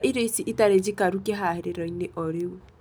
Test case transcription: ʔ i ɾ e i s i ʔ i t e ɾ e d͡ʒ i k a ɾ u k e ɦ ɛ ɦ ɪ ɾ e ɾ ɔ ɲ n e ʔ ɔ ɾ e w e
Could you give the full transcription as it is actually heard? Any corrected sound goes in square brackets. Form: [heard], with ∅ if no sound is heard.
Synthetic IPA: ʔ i ɾ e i s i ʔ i t [a] ɾ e d͡ʒ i k a ɾ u k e ɦ [a] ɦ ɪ ɾ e ɾ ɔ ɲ n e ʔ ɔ ɾ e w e